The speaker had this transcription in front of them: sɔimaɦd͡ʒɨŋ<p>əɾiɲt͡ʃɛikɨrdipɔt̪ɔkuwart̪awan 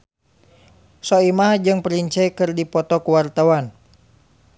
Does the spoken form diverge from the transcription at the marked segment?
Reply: no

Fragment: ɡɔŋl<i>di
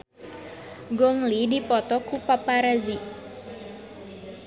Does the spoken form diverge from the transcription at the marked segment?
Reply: no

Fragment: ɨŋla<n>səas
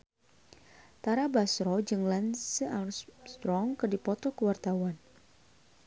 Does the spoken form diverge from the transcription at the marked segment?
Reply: no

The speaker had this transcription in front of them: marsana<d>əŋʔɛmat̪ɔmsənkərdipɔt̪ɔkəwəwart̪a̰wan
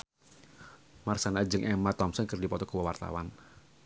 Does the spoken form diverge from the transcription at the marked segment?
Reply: yes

